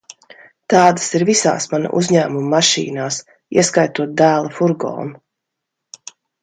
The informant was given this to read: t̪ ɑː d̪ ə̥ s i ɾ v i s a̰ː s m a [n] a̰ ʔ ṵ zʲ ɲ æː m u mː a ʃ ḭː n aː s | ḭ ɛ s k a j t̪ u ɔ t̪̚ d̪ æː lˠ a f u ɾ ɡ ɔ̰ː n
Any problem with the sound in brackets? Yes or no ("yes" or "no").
no